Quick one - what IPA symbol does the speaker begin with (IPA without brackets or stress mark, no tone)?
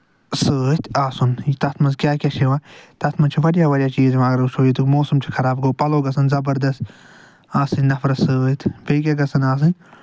s